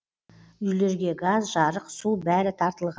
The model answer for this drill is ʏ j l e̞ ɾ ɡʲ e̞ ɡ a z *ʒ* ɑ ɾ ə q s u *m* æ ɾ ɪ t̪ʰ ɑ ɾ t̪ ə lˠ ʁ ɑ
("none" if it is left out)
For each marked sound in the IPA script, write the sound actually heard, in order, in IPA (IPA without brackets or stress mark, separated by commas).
ʒ, b